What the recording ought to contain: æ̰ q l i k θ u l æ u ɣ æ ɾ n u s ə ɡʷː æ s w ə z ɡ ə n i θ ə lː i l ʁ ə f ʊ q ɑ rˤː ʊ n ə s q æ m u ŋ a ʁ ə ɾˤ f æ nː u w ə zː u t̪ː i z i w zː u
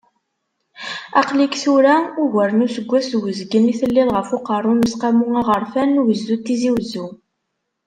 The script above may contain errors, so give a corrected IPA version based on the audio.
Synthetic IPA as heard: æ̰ q l i k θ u ɾ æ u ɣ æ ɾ n u s ə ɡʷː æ s w ə z ɡ ə n i θ ə lː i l ʁ ə f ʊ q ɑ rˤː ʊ n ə s q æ m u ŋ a ʁ ə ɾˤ f æ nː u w ə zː u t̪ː i z i w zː u